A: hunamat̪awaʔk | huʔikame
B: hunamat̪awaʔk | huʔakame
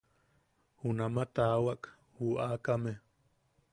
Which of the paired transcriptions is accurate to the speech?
B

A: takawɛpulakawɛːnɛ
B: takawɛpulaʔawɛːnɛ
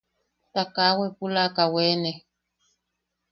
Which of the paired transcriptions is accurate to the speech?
A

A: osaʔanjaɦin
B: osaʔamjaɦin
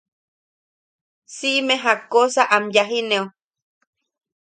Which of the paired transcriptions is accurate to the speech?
B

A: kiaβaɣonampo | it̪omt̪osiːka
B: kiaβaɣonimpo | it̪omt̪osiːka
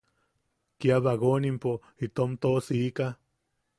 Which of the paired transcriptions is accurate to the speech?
B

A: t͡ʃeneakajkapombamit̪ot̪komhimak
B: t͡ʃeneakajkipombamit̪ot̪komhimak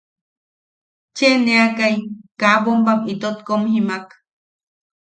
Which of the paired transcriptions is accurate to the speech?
A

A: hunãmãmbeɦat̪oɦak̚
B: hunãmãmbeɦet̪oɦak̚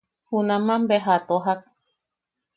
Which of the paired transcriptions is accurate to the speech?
A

